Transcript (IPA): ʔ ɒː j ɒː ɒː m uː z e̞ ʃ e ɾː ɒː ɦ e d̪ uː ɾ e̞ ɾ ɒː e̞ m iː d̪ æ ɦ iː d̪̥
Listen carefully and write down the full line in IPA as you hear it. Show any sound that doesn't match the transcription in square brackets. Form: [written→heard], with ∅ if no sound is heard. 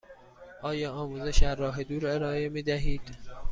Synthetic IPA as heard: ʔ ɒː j ɒː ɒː m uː z e̞ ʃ [e→æ] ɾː ɒː ɦ e d̪ uː ɾ e̞ ɾ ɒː e̞ m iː d̪ æ ɦ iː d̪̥

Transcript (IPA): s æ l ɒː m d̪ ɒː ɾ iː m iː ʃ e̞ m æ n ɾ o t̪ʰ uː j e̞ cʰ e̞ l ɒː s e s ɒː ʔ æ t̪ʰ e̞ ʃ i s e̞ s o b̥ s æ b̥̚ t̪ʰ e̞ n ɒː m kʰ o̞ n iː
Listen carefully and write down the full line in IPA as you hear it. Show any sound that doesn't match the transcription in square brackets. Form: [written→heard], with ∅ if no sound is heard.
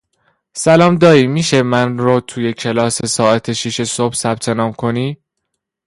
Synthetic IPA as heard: s æ l ɒː m d̪ ɒː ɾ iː m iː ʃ e̞ m æ n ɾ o t̪ʰ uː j e̞ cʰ e̞ l ɒː s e s ɒː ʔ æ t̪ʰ e̞ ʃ i [s→ʃ] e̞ s o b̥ s æ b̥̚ t̪ʰ e̞ n ɒː m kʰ o̞ n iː

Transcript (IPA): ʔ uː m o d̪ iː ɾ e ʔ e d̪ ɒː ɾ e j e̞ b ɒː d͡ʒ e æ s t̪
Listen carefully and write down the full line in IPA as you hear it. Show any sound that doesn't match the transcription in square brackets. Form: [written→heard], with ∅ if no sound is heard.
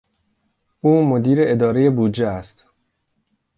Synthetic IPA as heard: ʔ uː m o d̪ iː ɾ e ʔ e d̪ ɒː ɾ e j e̞ b [ɒː→uː] d͡ʒ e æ s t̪

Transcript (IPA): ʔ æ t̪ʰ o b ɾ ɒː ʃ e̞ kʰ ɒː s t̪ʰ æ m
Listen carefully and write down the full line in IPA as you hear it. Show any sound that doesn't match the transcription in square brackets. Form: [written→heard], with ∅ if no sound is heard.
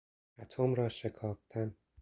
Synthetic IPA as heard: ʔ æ t̪ʰ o [b→m] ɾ ɒː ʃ e̞ kʰ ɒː [s→f] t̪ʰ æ [m→n]

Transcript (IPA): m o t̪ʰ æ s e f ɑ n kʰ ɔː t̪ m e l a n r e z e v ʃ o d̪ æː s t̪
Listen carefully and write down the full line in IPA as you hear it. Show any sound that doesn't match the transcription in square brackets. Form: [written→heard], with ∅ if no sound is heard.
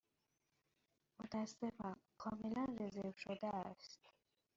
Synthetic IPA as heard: m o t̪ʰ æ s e f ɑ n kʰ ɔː [t̪→∅] m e l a n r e z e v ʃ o d̪ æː s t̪

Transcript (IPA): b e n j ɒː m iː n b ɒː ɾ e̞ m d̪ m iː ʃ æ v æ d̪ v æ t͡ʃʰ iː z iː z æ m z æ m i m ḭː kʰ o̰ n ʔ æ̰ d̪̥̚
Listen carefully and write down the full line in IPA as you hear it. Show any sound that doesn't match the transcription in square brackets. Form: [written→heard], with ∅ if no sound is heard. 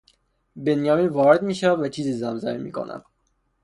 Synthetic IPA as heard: b e n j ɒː m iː n [b→v] ɒː ɾ e̞ [m→∅] d̪ m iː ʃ æ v æ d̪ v æ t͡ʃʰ iː z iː z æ m z æ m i m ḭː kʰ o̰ n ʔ æ̰ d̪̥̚

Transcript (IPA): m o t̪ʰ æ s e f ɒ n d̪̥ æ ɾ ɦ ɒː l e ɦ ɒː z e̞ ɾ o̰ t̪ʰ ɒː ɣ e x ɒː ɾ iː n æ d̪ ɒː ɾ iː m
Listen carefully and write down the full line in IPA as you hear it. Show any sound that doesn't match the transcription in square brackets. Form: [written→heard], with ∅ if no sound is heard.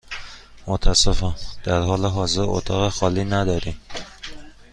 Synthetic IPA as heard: m o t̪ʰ æ s e f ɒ n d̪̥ æ ɾ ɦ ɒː l e ɦ ɒː z e̞ ɾ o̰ t̪ʰ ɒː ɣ e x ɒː [ɾ→l] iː n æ d̪ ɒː ɾ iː m

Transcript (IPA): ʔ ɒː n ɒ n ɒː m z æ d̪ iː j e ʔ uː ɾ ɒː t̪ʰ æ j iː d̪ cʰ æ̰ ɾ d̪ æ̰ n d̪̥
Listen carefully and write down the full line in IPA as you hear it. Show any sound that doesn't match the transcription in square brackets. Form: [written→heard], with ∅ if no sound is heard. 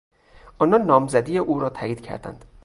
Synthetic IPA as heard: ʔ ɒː n ɒ [n→nː] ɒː m z æ d̪ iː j e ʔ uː ɾ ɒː t̪ʰ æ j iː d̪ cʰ æ̰ ɾ d̪ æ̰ n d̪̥

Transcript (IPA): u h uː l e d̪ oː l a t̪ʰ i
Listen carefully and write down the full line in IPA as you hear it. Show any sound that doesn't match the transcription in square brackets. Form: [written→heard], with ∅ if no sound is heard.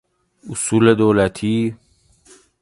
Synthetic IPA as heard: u [h→s] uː l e d̪ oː l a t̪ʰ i

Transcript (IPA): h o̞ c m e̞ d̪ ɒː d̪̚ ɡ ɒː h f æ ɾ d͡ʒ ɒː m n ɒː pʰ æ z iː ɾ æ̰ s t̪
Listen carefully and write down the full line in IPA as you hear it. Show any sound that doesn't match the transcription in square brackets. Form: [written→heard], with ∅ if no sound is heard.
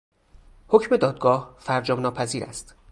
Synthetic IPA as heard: h o̞ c m e̞ d̪ ɒː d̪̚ ɡ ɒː h f æ ɾ d͡ʒ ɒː m n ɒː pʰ æ z iː ɾ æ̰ s t̪

